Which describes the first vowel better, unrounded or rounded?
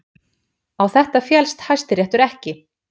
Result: unrounded